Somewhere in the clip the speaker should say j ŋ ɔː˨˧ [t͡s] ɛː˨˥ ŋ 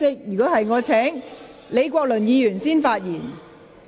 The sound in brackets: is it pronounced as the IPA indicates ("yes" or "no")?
no